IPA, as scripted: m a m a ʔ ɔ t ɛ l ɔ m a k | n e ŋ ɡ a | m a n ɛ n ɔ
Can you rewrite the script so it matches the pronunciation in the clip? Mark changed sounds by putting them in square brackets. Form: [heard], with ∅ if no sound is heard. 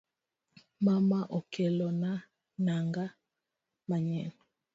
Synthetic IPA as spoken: m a m a ʔ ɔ [k] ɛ l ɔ [n] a [∅] | n [a] ŋ ɡ a | m a [ɲ] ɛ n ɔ